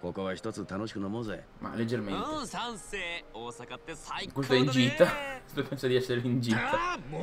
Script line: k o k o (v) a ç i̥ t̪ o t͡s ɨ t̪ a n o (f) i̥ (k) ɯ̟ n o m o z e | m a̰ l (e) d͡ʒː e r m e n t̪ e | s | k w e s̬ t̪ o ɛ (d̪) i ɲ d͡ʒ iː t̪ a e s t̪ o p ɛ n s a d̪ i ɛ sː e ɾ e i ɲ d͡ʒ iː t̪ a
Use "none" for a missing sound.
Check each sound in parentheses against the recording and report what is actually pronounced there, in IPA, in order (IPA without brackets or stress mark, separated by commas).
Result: β, ɕ, k, e, none